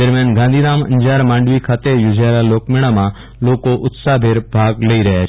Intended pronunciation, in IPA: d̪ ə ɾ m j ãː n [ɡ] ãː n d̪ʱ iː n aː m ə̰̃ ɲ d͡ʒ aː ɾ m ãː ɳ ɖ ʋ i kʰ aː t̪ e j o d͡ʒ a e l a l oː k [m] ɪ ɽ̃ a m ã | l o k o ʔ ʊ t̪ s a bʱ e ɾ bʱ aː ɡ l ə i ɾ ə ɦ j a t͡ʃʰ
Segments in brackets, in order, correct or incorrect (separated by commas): correct, correct